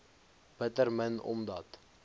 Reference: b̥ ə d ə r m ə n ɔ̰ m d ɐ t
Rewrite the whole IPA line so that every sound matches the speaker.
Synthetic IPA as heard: b̥ ə t ə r m ə n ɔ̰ m d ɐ t

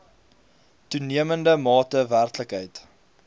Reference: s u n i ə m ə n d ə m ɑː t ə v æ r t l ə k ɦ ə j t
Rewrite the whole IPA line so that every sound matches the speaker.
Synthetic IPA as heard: t u n i ə m ə n d ə m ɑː t ə v æ r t l ə k ɦ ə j t

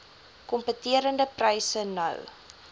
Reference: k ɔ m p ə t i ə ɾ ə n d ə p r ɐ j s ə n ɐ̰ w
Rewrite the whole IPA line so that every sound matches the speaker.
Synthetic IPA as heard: k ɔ m p ə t i ə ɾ ə n d ə p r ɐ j s ə n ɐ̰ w

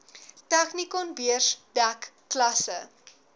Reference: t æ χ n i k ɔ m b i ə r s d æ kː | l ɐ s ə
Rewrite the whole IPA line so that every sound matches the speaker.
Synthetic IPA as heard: t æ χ n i k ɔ n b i ə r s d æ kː | l ɐ s ə

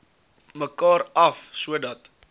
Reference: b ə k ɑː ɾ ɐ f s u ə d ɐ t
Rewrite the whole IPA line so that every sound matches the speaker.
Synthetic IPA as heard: m ə k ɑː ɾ ɐ f s u ə d ɐ t

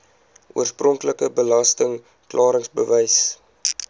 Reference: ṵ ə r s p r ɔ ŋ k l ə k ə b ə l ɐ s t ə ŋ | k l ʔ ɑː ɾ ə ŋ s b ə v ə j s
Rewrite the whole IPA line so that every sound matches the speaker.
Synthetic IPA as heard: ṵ ə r s p r ɔ ŋ k l ə k ə b ə l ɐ s t ə ŋ | k l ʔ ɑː ɾ ə ŋ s b ə v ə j s

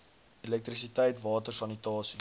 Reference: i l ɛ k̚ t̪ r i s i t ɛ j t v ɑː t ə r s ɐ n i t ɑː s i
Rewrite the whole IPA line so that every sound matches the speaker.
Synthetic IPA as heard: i l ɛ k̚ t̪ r i s i t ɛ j t v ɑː t ə r s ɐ n i t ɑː s i

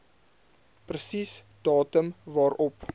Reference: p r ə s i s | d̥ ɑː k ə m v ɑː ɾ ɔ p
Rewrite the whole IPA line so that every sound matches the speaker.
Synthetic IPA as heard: p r ə s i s | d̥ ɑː t ə m v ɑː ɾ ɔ p

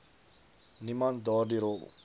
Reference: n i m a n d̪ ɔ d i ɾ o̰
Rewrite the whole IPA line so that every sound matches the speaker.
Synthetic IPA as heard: n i m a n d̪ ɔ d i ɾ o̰

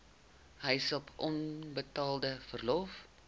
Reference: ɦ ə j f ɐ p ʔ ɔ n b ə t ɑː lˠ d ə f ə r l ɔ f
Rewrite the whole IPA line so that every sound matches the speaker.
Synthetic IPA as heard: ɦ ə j s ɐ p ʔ ɔ n b ə t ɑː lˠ d ə f ə r l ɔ f

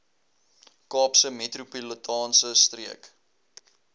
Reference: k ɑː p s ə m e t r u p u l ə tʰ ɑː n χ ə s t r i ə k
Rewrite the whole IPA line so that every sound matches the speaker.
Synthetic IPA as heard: k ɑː p s ə m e t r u p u l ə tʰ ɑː n s ə s t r i ə k

